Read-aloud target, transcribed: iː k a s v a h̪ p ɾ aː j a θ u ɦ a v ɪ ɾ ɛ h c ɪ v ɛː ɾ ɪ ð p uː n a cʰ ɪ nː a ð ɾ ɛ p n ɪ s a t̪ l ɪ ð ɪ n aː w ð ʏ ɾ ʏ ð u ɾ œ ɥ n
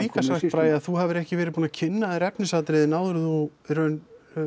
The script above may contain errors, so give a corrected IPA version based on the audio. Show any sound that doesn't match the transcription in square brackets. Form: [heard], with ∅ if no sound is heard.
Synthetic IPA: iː k a s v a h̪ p ɾ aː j a θ u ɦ a v ɪ ɾ ɛ h c ɪ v ɛː ɾ ɪ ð p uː n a cʰ ɪ nː a ð ɾ ɛ p n ɪ s a t̪ [ɾ] ɪ ð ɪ n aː w ð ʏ ɾ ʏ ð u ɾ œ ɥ n